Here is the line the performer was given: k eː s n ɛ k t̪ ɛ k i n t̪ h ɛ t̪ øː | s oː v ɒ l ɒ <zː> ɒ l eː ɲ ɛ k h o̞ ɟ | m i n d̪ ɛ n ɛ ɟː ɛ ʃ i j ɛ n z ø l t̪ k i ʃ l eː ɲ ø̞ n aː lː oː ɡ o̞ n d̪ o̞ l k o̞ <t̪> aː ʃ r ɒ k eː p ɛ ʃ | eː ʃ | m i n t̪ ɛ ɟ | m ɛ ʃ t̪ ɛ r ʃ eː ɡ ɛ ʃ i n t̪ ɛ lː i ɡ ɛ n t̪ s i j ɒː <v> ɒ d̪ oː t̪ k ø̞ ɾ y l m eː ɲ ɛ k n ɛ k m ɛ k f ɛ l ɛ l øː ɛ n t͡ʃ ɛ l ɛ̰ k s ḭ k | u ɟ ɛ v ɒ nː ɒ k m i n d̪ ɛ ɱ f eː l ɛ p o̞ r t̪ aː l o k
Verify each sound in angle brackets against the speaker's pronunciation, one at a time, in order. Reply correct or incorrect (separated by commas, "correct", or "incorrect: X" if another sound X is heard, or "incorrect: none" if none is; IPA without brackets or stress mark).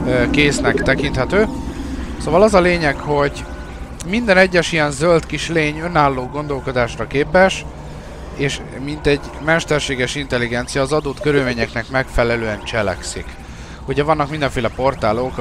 incorrect: z, incorrect: d̪, incorrect: z